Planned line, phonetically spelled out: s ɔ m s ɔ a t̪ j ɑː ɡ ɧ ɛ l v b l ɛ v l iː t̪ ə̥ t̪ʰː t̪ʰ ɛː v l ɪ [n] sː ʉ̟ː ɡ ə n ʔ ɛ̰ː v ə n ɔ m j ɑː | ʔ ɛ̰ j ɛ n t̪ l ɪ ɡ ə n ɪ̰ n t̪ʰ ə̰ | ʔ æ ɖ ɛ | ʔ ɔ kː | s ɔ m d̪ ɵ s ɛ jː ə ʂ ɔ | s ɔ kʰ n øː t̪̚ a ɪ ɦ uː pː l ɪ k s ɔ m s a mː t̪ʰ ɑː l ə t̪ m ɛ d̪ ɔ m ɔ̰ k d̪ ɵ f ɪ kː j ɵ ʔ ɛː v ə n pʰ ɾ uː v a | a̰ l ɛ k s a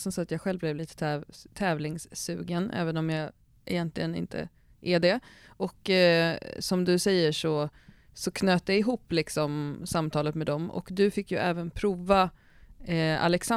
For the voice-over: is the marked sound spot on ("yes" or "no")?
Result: no